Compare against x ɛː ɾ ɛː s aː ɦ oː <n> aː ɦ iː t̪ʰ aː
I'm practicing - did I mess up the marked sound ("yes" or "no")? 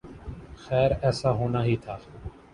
no